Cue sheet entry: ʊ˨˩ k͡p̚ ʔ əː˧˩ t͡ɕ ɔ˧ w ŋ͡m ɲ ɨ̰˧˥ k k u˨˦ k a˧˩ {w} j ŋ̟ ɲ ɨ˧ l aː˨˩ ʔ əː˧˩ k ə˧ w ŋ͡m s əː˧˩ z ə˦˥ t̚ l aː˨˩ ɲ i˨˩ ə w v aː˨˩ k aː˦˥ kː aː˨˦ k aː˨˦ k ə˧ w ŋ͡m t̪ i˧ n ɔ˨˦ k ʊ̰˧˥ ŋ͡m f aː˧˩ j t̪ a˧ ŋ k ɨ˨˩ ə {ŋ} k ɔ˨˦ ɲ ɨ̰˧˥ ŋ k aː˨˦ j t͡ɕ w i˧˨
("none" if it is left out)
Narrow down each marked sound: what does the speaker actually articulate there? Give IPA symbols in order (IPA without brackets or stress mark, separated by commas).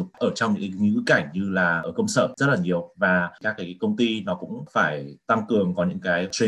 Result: none, ŋ